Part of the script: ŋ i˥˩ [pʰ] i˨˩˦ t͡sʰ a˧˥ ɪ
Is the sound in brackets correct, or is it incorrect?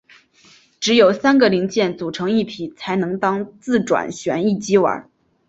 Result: correct